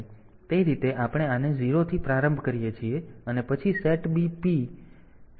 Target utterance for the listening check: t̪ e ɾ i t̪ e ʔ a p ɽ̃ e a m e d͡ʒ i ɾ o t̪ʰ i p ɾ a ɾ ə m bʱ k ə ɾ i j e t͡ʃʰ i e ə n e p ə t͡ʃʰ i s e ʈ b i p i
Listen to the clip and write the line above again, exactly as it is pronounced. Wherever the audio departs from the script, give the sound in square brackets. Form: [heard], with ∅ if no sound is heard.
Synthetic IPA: t̪ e ɾ i t̪ e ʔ a p ɽ̃ e a [n] e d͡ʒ i ɾ o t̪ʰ i p ɾ a ɾ ə m bʱ k ə ɾ i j e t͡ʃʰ i e ə n e p ə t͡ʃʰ i s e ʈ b i p i